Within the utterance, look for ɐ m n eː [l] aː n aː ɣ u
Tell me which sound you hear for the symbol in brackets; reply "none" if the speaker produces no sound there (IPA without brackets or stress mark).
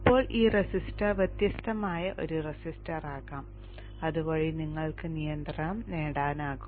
ɽ